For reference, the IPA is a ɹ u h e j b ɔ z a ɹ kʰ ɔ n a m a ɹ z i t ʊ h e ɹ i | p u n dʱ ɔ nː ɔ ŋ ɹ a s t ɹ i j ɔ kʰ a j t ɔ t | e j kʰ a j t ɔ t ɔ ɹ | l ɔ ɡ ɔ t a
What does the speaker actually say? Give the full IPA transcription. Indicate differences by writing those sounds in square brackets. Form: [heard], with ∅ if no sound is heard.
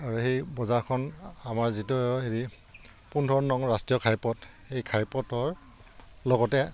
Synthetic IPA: a ɹ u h e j b ɔ z a ɹ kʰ ɔ n a m a ɹ z i t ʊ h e ɹ i | p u n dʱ ɔ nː ɔ ŋ ɹ a s t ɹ i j ɔ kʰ a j [p] ɔ t | e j kʰ a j [p] ɔ t ɔ ɹ | l ɔ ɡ ɔ t [ɛ]

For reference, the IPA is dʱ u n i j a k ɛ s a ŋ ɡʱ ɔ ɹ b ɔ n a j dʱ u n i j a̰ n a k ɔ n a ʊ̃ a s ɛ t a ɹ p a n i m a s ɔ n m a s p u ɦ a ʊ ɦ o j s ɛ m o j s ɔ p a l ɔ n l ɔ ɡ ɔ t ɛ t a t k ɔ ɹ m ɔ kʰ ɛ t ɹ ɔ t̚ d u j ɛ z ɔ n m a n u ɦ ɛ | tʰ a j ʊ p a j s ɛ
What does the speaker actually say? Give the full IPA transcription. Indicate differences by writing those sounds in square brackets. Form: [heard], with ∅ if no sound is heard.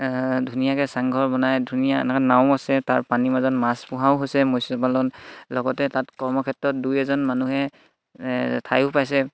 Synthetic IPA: dʱ u n i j a k ɛ s a ŋ ɡʱ ɔ ɹ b ɔ n a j dʱ u n i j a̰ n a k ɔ n a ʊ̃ a s ɛ t a ɹ p a n i m a [z] ɔ n m a s p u ɦ a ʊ ɦ o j s ɛ m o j s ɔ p a l ɔ n l ɔ ɡ ɔ t ɛ t a t k ɔ ɹ m ɔ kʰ ɛ t ɹ ɔ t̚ d u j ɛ z ɔ n m a n u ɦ ɛ | tʰ a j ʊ p a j s ɛ

